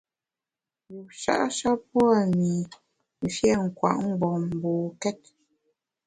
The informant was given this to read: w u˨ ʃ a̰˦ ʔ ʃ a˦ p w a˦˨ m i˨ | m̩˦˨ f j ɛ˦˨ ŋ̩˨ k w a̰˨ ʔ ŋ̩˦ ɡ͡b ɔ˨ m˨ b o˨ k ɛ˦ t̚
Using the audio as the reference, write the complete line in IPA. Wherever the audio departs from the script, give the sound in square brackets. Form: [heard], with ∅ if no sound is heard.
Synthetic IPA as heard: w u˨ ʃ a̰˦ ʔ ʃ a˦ p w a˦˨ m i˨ | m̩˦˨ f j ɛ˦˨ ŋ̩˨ k w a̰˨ ʔ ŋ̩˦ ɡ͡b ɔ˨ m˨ b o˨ k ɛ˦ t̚